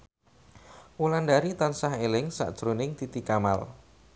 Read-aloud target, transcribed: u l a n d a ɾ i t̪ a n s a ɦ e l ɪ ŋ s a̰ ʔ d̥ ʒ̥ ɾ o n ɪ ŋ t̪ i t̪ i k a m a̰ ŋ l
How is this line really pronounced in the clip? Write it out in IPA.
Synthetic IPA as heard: u l a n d a ɾ i t̪ a n s a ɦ e l ɪ ŋ s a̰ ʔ d̥ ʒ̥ ɾ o n ɪ ŋ t̪ i t̪ i k a m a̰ l